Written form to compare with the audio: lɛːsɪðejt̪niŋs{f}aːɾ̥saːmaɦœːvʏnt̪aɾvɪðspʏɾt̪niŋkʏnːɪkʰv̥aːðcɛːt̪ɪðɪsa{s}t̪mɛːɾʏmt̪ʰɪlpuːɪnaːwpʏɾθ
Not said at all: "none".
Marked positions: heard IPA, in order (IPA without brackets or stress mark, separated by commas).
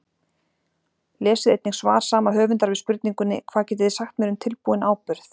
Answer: v, x